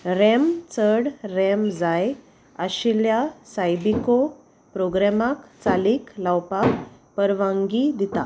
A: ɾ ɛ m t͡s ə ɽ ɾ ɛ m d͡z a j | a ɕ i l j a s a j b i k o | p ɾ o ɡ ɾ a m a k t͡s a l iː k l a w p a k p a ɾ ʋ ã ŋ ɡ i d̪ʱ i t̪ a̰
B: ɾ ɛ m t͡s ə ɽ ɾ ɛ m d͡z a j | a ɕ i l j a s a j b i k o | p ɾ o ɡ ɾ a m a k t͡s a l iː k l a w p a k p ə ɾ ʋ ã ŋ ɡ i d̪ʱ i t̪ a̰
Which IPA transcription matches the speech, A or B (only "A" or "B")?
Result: B